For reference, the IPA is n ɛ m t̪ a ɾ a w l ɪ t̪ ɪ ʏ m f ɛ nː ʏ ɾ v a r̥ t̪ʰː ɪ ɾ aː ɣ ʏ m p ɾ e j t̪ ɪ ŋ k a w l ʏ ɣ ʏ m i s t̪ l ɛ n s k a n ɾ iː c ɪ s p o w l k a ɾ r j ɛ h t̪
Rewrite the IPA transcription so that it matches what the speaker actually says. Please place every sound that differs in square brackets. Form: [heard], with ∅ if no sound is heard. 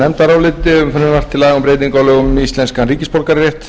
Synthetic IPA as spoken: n ɛ m t̪ a ɾ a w l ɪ t̪ ɪ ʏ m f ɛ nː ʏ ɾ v a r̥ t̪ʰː ɪ [l] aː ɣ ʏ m p ɾ e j t̪ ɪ ŋ k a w l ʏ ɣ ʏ m i s t̪ l ɛ n s k a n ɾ iː c ɪ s p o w l k a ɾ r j ɛ h t̪